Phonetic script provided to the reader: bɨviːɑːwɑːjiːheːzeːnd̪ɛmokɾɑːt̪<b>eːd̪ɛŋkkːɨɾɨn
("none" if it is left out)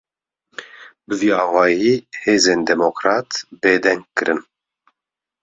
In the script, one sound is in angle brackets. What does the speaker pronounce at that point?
b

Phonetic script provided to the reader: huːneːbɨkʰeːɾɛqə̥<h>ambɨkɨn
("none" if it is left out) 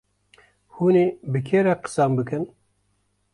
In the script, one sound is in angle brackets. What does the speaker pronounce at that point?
s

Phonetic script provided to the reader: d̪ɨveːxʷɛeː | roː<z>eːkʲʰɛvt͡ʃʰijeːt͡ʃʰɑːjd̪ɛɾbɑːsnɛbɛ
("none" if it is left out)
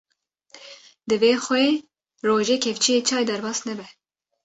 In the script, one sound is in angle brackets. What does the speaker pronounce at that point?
ʒ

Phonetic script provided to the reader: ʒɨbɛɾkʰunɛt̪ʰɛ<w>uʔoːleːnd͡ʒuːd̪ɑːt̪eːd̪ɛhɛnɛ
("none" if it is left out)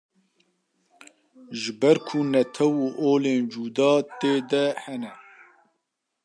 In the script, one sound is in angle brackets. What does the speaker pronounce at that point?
w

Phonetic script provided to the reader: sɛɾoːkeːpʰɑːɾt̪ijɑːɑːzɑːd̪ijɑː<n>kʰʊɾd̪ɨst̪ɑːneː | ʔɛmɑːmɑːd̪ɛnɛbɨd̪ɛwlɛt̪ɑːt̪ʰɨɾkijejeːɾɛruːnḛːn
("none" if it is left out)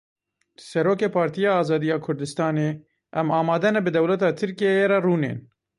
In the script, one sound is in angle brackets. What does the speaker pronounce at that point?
none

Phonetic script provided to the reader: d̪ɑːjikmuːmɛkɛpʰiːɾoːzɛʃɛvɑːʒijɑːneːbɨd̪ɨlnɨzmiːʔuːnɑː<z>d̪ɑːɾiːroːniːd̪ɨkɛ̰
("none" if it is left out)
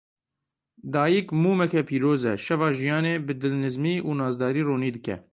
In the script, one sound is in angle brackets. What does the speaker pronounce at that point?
z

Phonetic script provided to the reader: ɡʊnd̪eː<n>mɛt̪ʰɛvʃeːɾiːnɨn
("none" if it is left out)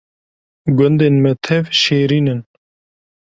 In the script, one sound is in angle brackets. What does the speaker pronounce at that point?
n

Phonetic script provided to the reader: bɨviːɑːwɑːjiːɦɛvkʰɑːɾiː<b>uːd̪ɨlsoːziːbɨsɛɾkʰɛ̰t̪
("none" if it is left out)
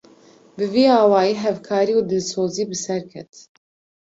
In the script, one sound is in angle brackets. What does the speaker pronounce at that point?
none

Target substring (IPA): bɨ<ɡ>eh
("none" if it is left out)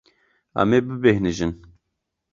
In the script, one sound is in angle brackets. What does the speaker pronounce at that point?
b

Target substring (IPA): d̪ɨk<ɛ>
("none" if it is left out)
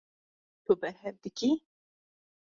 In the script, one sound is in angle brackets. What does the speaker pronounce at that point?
i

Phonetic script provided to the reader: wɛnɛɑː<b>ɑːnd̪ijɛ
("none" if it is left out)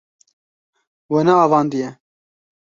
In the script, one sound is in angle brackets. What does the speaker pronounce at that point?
v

